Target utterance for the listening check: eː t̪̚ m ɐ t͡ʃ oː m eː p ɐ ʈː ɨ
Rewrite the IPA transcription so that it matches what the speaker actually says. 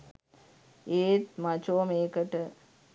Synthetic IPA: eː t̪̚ m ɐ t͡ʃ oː m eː k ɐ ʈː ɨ